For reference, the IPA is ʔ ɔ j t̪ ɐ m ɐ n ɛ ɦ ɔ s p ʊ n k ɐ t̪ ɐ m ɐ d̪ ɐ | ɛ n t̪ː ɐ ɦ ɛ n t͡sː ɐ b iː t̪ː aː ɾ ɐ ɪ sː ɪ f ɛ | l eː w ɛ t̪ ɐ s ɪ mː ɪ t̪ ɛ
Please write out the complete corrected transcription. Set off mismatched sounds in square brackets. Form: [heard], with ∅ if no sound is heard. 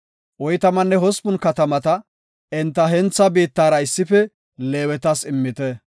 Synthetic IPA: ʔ ɔ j t̪ ɐ m ɐ [nː] ɛ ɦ ɔ s p ʊ n k ɐ t̪ ɐ m ɐ [t̪] ɐ | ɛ n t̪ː ɐ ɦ ɛ n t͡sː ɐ b iː t̪ː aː ɾ ɐ ɪ sː ɪ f ɛ | l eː w ɛ t̪ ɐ s ɪ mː ɪ t̪ ɛ